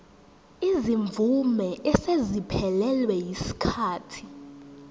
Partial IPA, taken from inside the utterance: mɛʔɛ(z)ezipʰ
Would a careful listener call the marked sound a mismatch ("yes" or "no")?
yes